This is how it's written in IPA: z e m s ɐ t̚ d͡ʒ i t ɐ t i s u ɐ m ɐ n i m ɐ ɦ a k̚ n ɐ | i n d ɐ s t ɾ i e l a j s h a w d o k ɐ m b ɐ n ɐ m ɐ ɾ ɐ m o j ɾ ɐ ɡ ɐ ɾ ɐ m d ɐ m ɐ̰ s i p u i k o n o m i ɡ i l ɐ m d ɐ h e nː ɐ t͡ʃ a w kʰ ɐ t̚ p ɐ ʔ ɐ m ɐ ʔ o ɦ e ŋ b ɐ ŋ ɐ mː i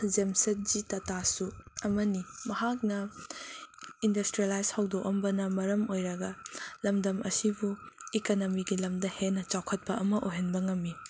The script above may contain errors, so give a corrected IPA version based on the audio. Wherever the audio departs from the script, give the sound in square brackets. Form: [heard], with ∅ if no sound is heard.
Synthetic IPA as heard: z e m s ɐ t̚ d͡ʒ i t ɐ t [a] s u ɐ m ɐ n i m ɐ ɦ a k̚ n ɐ | i n d ɐ s t ɾ i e l a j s h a w d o k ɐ m b ɐ n ɐ m ɐ ɾ ɐ m o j ɾ ɐ ɡ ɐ [l] ɐ m d ɐ m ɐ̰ s i [b] u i k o n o m i ɡ i l ɐ m d ɐ h e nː ɐ t͡ʃ a w kʰ ɐ t̚ p ɐ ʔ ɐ m ɐ ʔ o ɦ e [n] b ɐ ŋ ɐ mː i